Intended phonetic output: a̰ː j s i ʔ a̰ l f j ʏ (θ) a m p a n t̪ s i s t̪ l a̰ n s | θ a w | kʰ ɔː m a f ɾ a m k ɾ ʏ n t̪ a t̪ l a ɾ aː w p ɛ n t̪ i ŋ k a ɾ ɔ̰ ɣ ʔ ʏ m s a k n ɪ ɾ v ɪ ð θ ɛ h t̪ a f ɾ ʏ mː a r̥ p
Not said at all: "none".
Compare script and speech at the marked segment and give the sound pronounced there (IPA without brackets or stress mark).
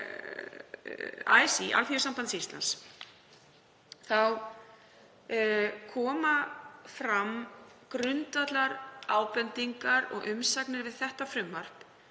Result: s